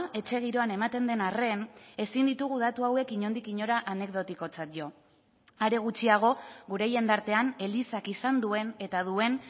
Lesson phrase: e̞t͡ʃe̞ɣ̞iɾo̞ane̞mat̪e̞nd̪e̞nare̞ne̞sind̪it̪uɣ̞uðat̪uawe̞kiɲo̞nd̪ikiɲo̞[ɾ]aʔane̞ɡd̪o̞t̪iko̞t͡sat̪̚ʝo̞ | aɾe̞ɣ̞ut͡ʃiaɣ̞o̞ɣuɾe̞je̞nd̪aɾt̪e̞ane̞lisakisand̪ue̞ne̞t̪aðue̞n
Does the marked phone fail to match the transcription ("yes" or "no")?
no